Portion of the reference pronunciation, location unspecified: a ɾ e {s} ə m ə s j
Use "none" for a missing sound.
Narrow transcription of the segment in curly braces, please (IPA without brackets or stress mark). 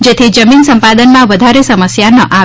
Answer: s